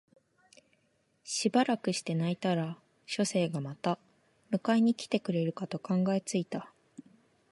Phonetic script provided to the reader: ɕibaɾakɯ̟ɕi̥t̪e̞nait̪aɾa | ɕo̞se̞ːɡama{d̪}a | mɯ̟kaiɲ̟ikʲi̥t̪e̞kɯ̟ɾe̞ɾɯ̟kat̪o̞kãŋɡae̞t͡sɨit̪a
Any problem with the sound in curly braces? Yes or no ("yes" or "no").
yes